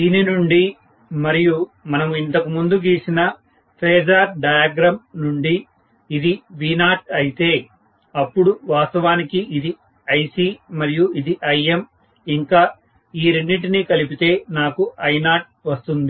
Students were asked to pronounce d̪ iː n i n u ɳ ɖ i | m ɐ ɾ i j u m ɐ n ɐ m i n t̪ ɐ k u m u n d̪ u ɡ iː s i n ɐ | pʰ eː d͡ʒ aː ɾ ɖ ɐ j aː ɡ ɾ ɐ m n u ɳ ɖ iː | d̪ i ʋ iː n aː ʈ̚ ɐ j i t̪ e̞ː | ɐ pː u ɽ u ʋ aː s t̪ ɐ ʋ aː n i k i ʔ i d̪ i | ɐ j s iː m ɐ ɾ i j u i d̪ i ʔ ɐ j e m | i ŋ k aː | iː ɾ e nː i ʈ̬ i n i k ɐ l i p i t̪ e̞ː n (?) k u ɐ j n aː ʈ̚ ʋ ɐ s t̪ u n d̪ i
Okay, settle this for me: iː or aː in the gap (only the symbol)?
aː